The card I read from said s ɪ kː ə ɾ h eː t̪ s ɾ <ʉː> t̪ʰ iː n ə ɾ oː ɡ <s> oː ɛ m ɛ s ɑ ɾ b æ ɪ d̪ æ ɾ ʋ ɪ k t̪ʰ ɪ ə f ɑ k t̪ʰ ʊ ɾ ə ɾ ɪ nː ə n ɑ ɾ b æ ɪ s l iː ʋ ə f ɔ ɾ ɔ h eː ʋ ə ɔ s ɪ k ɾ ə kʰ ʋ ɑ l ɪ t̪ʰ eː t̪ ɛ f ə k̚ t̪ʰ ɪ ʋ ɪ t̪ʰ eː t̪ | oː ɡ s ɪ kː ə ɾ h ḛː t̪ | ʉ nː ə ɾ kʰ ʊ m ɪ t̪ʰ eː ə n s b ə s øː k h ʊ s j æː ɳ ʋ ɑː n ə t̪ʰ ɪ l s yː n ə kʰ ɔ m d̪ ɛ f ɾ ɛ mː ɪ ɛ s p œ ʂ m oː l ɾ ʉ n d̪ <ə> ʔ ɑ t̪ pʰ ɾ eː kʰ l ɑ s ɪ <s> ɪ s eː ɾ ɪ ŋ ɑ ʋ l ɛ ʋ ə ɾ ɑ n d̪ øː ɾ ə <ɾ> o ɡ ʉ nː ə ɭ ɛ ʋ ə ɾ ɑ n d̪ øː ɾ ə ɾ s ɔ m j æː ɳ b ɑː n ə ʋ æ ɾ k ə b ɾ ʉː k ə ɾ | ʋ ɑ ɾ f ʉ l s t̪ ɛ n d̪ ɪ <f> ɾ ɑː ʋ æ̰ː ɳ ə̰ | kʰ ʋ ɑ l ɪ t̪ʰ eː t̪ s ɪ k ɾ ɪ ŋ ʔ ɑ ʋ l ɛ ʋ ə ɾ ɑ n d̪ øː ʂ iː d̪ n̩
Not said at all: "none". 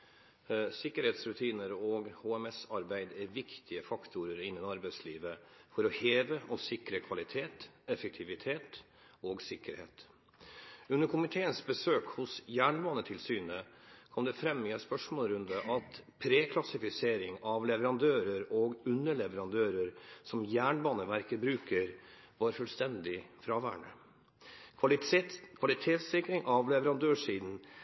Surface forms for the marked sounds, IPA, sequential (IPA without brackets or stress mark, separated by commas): ʉ, h, ə, f, ɾ, f